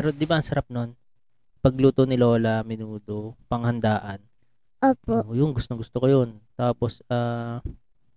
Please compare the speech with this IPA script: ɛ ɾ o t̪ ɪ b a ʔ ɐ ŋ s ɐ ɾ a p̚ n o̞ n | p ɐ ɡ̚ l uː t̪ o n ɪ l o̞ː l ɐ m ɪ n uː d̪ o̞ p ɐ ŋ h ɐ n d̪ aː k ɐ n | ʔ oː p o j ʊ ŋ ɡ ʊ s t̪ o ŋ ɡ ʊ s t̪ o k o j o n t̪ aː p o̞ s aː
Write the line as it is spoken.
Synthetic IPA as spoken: ɛ ɾ o d̪ ɪ b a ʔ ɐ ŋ s ɐ ɾ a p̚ n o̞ n | p ɐ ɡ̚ l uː t̪ o n ɪ l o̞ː l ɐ m ɪ n uː d̪ o̞ p ɐ ŋ h ɐ n d̪ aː ʔ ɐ n | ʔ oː p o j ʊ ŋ ɡ ʊ s t̪ o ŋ ɡ ʊ s t̪ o k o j o n t̪ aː p o̞ s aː